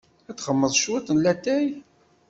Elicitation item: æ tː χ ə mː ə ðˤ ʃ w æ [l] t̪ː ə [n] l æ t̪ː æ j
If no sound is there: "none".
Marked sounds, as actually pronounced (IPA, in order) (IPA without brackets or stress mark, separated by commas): none, n